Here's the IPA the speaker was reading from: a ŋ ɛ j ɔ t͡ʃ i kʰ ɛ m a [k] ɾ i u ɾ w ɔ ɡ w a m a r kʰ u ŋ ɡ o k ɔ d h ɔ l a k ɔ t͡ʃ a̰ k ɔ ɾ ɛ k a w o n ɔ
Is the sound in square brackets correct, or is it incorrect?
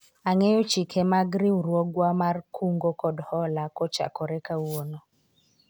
incorrect: ɡ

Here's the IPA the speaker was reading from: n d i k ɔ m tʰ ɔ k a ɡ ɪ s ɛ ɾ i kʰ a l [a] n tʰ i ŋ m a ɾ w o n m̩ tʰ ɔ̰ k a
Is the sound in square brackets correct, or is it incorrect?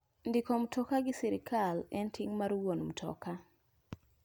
incorrect: ɛ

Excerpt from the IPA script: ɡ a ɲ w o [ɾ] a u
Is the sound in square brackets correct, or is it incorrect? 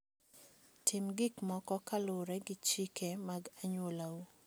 incorrect: l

